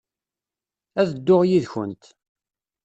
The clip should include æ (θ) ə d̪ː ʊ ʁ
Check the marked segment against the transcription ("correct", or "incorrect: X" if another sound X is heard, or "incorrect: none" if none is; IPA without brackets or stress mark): incorrect: ð